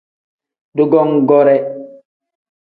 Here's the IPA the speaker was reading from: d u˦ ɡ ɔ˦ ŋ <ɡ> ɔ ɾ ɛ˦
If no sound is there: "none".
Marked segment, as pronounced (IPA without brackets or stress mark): ɡ